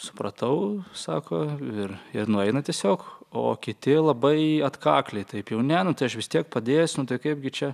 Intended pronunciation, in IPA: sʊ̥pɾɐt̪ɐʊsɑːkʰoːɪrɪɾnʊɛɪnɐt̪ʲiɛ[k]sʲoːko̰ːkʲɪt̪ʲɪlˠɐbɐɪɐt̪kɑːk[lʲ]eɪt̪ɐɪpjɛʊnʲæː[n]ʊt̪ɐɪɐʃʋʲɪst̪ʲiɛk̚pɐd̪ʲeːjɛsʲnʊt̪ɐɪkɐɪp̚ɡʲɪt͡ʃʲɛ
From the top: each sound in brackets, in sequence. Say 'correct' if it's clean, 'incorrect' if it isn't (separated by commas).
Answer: incorrect, correct, correct